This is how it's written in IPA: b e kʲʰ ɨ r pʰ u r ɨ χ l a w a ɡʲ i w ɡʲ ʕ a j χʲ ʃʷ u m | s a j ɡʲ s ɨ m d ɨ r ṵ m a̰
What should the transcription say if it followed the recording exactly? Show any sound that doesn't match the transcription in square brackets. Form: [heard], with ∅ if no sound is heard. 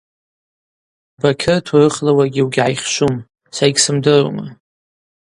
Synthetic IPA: b [a] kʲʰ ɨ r [tʰ] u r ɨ χ l a w a ɡʲ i w ɡʲ ʕ a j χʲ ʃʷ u m | s a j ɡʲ s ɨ m d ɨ r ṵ m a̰